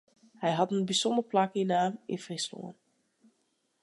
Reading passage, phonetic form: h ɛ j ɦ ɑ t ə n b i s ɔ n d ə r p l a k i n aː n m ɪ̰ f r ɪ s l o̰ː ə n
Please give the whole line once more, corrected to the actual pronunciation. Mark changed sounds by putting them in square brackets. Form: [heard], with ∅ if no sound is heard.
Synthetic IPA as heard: h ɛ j ɦ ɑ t ə n b i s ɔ n d ə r p l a k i n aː [∅] m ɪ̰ f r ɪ s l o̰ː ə n